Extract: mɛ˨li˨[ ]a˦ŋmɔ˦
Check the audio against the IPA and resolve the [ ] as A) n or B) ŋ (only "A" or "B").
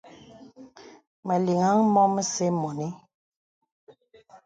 B